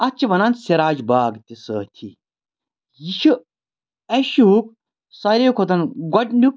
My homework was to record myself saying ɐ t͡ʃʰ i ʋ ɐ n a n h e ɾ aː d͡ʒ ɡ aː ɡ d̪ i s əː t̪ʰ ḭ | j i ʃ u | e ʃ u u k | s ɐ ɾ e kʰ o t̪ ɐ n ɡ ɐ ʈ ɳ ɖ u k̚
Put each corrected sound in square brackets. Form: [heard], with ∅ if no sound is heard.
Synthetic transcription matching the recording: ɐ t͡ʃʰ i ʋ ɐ n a n [s] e ɾ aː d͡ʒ [b] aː ɡ [t̪] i s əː t̪ʰ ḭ | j i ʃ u | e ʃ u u k | s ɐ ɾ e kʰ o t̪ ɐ n ɡ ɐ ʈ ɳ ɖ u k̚

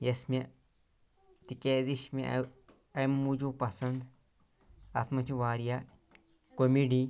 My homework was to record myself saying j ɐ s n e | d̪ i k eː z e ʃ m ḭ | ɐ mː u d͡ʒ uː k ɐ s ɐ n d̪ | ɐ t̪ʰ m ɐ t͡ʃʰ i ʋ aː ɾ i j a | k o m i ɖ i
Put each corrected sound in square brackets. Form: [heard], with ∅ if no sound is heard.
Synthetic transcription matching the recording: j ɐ s [m] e | [t̪] i k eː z [i] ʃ m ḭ | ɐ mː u d͡ʒ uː [p] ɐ s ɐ n d̪ | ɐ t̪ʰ m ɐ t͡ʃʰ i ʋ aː ɾ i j a | k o m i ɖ i

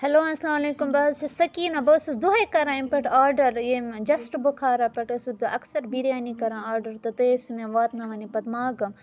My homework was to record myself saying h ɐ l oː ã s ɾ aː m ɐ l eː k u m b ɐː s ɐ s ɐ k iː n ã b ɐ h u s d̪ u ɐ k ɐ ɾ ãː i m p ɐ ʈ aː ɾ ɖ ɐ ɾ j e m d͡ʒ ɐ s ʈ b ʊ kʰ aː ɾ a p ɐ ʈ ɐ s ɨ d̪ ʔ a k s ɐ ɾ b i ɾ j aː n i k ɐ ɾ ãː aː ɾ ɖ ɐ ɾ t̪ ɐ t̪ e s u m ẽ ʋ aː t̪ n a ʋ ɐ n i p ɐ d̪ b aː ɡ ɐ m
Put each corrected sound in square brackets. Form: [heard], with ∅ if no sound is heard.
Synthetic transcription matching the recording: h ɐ l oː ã s [l] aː m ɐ l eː k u m b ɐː s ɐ s ɐ k iː n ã b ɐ [s] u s d̪ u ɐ k ɐ ɾ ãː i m p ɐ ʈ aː ɾ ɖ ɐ ɾ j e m d͡ʒ ɐ s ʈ b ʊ kʰ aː ɾ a p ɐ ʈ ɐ s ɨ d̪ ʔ [ɐ] k s ɐ ɾ b i ɾ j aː n i k ɐ ɾ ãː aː ɾ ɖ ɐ ɾ t̪ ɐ t̪ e s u m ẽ ʋ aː t̪ n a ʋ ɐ n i p ɐ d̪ [m] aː ɡ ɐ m

